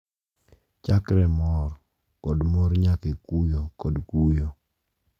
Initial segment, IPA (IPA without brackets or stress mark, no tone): t͡ʃ